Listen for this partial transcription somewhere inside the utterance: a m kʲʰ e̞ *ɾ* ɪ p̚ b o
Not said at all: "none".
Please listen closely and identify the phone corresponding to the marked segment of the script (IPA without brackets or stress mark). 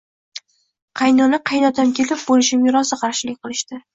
l